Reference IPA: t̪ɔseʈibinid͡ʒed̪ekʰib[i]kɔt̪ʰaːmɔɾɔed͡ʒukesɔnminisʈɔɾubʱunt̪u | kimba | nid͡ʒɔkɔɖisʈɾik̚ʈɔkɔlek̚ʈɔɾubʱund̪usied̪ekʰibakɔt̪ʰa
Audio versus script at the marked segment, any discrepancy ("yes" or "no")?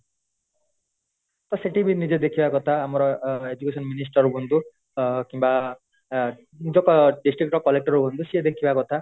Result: yes